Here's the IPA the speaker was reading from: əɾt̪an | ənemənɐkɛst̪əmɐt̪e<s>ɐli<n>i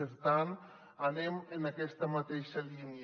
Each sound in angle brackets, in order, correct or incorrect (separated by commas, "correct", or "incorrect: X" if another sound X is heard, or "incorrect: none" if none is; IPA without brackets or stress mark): incorrect: ʃ, correct